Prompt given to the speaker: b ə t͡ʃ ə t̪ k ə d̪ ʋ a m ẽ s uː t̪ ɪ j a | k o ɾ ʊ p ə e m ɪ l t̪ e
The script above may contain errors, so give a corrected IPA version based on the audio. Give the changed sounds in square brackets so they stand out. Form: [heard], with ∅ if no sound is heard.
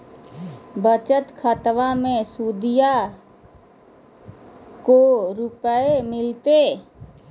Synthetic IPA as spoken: b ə t͡ʃ ə t̪ [kʰ] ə [t̪] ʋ a m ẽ s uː [d̪] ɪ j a | k o ɾ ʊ p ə e m ɪ l t̪ e